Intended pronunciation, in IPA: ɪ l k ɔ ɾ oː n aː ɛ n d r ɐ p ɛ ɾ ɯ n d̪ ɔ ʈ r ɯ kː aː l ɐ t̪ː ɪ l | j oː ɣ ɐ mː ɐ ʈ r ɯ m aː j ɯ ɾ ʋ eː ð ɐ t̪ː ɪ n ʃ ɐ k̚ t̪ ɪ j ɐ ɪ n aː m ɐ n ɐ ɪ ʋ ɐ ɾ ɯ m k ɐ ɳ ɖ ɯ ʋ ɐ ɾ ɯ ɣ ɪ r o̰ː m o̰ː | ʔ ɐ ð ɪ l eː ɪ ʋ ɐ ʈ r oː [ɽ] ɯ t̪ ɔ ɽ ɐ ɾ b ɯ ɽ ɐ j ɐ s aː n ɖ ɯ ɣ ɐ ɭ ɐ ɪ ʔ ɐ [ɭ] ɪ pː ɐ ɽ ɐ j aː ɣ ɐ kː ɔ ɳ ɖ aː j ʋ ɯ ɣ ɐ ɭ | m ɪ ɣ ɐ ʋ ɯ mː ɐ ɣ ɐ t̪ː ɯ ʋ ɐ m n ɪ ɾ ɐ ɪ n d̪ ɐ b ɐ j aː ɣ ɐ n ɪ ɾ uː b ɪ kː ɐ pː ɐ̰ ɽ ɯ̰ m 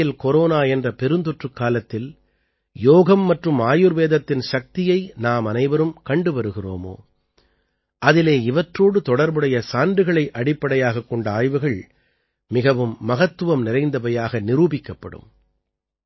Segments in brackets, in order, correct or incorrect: correct, incorrect: ɽ

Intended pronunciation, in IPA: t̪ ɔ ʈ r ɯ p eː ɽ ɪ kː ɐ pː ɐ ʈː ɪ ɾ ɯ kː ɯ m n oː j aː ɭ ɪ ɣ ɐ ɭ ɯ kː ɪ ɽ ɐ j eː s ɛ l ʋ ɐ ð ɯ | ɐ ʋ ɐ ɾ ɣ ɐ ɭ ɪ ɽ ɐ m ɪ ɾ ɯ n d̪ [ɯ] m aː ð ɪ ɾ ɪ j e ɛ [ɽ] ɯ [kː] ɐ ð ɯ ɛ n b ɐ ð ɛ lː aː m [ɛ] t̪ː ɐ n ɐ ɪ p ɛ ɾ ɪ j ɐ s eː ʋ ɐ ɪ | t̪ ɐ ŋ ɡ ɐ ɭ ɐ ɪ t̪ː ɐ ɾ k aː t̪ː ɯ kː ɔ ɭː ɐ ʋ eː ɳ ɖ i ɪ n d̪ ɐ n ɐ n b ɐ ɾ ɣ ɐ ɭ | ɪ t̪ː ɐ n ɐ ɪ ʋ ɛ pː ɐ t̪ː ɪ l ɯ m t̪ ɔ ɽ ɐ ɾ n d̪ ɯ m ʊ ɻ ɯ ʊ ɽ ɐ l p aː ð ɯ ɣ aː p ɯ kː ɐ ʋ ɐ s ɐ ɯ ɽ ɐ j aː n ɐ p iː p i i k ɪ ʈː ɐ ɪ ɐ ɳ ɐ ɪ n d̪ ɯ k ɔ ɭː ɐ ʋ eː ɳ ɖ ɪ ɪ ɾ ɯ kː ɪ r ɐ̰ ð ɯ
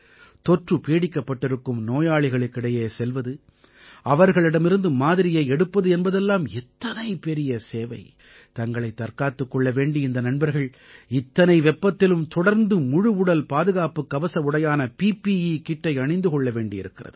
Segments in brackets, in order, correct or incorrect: correct, correct, incorrect: pː, correct

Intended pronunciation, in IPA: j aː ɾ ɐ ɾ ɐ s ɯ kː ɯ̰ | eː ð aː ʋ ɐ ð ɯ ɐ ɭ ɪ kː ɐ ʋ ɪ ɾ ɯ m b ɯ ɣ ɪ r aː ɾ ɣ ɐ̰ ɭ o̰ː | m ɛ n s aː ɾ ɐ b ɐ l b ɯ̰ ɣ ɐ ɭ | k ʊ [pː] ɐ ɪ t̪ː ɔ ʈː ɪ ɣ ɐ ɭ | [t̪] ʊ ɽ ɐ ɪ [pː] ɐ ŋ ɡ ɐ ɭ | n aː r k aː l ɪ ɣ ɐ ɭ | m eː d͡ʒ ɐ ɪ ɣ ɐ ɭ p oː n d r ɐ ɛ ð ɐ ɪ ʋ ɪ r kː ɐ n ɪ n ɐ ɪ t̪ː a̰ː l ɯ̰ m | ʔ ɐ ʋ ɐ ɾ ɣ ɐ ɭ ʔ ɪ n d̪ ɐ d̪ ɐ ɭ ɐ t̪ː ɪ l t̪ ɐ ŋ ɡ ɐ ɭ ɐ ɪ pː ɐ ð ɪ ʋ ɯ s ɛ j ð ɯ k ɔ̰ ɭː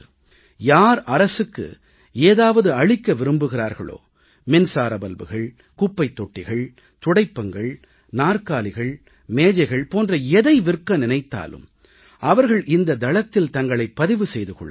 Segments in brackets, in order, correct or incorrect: correct, correct, correct

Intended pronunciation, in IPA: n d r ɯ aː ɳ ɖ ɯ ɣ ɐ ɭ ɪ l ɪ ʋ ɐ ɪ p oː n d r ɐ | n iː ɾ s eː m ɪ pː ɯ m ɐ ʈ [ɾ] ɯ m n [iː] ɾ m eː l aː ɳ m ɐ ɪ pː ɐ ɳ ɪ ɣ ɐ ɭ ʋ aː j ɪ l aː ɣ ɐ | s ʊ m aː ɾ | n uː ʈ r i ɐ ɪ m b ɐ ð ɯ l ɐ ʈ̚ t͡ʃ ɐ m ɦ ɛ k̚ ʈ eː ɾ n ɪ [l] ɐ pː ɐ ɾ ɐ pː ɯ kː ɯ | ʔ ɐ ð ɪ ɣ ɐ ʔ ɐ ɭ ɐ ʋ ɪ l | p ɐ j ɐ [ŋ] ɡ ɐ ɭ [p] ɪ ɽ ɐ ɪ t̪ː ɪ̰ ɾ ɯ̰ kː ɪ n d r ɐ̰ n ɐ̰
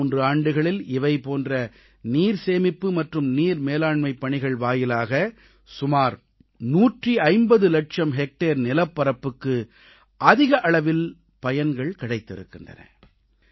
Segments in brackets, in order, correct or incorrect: incorrect: r, correct, correct, incorrect: n, incorrect: k

